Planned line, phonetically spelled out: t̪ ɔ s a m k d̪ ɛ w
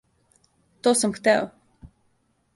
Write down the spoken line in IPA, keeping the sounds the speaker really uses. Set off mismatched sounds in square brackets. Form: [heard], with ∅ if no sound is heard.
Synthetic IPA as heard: t̪ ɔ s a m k [t̪] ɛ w